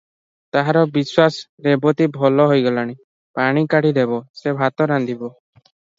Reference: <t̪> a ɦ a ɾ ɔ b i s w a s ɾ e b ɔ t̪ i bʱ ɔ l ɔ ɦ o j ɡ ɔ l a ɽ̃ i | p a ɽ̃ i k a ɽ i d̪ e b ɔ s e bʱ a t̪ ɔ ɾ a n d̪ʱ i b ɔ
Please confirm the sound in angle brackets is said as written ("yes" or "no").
yes